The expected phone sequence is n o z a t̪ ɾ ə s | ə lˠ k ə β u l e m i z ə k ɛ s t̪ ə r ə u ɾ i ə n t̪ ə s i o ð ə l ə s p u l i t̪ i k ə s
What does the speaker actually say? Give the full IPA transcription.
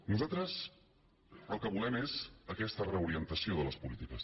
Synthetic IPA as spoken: n u z a t̪ ɾ ə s | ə lˠ k ə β u l ɛ m e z ə k ɛ s t̪ ə r ə u ɾ i ə n t̪ ə s i o ð ə l ə s p u l i t̪ i k ə s